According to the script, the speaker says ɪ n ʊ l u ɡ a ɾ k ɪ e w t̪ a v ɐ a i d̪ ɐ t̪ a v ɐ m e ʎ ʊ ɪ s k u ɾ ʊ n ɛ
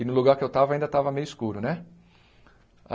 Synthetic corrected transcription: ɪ n ʊ l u ɡ a ɾ k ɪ e w t̪ a v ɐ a ĩ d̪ ɐ t̪ a v ɐ m e j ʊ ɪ s k u ɾ ʊ n ɛ